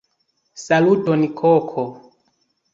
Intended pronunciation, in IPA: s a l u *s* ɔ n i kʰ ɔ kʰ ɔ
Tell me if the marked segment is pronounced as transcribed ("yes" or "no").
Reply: no